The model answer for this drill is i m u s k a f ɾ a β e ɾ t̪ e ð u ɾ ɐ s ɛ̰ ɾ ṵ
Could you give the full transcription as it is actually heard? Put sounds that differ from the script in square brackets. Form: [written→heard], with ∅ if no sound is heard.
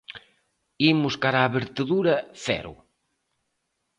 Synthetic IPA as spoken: i m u s k a [f→∅] ɾ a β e ɾ t̪ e ð u ɾ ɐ [s→f] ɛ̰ ɾ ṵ